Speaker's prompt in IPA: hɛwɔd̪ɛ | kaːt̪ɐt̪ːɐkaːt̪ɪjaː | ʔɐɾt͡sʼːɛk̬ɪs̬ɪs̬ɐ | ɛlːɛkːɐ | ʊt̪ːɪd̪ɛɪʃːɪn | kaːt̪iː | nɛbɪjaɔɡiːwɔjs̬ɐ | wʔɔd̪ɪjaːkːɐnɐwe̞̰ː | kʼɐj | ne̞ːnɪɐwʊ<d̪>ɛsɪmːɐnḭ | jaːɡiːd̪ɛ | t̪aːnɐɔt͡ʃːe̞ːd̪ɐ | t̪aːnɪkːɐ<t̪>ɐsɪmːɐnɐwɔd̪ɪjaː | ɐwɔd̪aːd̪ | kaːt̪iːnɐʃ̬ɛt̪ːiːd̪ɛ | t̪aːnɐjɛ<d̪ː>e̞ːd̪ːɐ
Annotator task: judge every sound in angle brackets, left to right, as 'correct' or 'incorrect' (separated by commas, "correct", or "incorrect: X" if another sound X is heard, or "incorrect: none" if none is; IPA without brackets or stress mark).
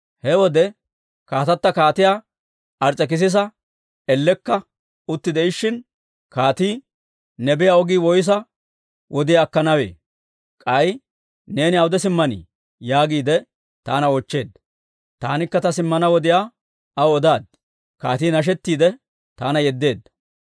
correct, correct, correct